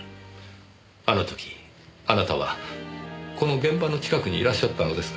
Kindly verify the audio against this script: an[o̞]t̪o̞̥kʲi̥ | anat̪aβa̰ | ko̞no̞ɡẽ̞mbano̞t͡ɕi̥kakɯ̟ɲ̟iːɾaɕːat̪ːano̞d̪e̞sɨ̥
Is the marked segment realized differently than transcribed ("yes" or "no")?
no